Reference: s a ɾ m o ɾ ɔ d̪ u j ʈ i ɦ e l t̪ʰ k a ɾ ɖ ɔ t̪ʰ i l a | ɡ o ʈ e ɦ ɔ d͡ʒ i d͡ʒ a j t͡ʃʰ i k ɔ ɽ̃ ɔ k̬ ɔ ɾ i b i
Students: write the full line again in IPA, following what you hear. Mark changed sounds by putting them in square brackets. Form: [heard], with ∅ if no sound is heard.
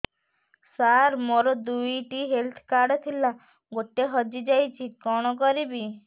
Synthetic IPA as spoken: s a ɾ m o ɾ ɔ d̪ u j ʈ i ɦ e l t̪ʰ k a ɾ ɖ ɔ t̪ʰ i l a | ɡ o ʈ e ɦ ɔ d͡ʒ i d͡ʒ a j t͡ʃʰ i k ɔ ɽ̃ ɔ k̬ ɔ ɾ i b i